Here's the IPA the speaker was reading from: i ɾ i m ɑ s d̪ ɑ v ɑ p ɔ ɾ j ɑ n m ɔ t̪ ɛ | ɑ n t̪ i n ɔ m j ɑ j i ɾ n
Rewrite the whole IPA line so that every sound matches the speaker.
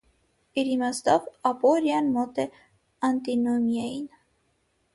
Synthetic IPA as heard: i ɾ i m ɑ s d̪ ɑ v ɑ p ɔ ɾ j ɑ n m ɔ t̪ ɛ | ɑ n t̪ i n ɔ m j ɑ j i n